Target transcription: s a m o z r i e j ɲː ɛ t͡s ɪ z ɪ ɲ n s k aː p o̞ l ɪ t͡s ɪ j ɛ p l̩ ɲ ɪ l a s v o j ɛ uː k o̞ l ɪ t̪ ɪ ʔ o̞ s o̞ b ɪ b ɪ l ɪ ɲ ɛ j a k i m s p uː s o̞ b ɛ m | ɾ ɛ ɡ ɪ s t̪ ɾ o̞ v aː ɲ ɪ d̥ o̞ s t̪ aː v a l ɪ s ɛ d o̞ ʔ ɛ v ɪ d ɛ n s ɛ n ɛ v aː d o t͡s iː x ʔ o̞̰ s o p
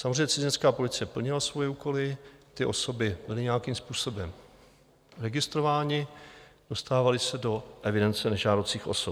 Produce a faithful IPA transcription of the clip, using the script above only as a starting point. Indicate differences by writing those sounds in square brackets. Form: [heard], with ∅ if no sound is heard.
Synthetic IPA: s a m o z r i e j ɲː ɛ t͡s ɪ z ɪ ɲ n s k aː p o̞ l ɪ t͡s ɪ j ɛ p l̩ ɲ ɪ l a s v o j ɛ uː k o̞ l ɪ t̪ ɪ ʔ o̞ s o̞ b ɪ b ɪ l ɪ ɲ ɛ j a k i m s p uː s o̞ b ɛ m | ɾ ɛ ɡ ɪ s t̪ ɾ o̞ v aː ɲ ɪ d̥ o̞ s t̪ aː v a l ɪ s ɛ d o̞ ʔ ɛ v ɪ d ɛ n [t͡s] ɛ n ɛ [ʒ] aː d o t͡s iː x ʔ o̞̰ s o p